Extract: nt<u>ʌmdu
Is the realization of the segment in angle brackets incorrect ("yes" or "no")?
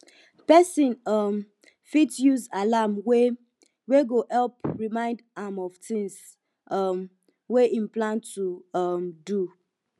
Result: no